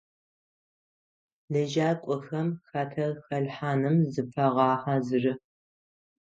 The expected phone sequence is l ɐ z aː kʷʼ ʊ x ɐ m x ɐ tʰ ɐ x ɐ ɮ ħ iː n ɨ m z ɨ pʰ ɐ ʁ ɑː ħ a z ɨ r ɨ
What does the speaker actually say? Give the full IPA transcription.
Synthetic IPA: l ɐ ʒ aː kʷʼ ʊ x ɐ m x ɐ tʰ ɐ x ɐ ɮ ħ aː n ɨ m z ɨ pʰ ɐ ʁ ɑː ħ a z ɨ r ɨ